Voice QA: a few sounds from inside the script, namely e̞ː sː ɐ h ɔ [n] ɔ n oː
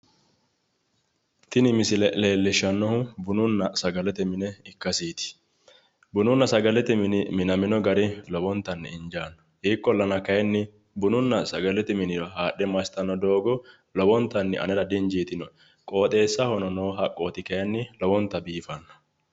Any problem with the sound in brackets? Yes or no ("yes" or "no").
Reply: no